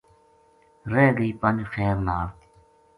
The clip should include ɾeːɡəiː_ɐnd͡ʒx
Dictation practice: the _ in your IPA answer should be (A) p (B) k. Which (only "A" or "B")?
A